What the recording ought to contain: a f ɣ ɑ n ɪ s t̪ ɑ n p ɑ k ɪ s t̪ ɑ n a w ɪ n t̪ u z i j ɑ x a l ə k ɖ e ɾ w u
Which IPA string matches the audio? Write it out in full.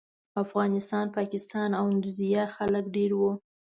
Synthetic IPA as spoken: a f ɣ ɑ n ɪ s t̪ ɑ n p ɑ k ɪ s t̪ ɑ n a w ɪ n d̪ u z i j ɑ x a l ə k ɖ e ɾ w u